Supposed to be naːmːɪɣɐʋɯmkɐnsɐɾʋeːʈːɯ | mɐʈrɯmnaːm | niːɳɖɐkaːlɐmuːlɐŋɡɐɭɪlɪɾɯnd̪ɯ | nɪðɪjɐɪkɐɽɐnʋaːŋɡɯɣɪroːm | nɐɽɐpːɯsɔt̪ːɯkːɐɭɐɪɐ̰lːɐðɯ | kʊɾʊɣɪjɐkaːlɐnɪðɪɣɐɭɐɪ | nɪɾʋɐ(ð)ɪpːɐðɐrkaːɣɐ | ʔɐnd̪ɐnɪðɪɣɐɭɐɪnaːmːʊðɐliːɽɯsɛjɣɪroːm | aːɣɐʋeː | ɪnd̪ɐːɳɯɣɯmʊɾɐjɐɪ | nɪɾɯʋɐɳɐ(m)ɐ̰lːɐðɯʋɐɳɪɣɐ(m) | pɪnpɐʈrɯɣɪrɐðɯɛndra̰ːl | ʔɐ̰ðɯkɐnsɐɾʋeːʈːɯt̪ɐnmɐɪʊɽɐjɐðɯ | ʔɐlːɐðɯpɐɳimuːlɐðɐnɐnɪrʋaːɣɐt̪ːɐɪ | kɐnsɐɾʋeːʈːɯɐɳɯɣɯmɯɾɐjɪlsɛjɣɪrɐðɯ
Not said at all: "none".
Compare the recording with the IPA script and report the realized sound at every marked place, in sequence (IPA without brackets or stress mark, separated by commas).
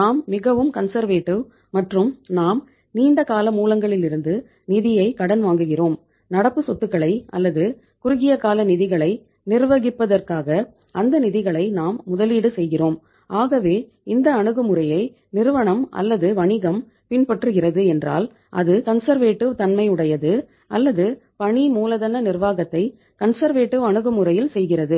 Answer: ɣ, m, m